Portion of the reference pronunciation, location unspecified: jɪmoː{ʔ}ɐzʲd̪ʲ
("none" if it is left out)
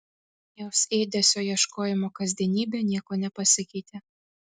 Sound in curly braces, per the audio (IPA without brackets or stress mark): k